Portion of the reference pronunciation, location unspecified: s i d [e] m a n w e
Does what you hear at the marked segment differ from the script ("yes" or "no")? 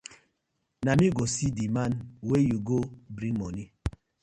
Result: yes